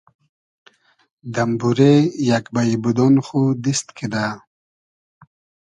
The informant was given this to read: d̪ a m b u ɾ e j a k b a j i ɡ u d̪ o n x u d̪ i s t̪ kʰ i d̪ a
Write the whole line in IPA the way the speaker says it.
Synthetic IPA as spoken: d̪ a m b u ɾ e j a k b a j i b u d̪ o n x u d̪ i s t̪ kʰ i d̪ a